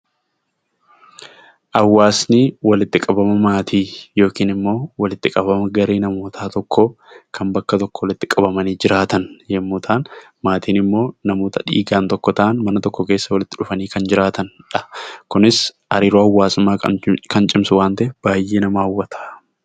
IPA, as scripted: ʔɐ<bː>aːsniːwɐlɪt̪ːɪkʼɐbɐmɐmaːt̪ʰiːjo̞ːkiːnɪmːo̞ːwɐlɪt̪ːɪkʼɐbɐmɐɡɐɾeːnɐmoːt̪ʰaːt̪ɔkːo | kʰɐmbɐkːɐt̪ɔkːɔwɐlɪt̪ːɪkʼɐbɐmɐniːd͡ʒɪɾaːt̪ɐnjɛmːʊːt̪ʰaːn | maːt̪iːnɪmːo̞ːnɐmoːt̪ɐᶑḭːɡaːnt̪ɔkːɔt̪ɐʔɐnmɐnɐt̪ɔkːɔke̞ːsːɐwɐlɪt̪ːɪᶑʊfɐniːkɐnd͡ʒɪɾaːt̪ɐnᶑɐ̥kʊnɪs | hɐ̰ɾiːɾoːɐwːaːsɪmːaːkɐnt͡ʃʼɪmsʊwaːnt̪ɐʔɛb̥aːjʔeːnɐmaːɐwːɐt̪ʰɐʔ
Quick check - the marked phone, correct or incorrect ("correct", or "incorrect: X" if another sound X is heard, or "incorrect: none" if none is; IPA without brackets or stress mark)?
incorrect: wː